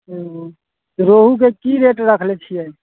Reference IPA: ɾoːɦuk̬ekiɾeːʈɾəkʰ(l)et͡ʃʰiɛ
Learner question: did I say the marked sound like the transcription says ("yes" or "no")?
yes